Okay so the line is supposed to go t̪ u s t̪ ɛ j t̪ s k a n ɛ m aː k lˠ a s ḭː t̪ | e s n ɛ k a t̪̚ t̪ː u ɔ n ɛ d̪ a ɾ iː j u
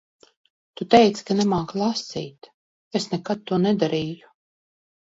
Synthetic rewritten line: t̪ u t̪ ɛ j t̪ s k a n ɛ m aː k lˠ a s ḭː t̪ | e s n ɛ k a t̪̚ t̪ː u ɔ n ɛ d̪ a ɾ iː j u